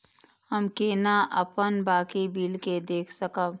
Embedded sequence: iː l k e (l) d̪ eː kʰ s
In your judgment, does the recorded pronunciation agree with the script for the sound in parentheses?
no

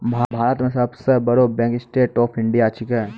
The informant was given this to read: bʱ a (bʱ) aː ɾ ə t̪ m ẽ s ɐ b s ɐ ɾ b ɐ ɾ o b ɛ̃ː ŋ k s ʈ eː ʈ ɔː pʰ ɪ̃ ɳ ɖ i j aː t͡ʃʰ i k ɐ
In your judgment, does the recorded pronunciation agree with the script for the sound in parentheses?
yes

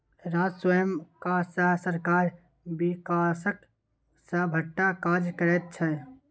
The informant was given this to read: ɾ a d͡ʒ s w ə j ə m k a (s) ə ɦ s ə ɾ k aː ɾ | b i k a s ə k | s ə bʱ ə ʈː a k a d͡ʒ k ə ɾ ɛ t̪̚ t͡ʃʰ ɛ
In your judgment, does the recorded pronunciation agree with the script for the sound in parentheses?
yes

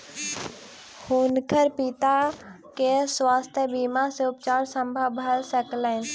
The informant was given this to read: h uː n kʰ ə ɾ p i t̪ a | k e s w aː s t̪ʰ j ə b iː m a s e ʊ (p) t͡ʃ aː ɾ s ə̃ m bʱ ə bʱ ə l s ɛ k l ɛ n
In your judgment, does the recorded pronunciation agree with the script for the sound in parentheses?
yes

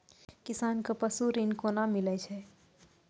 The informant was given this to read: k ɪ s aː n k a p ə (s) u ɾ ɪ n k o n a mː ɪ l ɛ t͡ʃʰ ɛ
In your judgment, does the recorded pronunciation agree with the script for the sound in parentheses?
yes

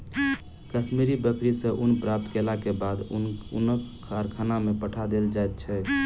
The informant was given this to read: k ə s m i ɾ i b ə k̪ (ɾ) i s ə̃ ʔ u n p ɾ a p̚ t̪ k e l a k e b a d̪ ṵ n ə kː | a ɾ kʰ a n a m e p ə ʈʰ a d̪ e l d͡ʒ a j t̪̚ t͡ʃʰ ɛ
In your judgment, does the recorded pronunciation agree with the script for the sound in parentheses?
yes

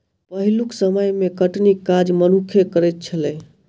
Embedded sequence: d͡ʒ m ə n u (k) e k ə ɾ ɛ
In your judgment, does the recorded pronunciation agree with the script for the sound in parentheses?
no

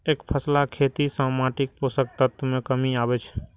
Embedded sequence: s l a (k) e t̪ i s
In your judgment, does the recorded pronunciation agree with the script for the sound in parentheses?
no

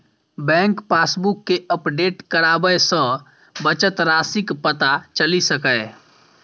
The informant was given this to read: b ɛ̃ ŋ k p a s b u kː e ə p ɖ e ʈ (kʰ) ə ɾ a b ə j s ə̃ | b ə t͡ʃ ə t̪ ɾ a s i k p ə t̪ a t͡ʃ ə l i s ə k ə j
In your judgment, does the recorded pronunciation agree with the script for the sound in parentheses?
no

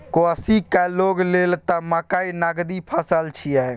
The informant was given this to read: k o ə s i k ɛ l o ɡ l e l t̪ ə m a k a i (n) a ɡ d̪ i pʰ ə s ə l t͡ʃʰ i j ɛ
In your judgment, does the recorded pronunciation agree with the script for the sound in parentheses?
yes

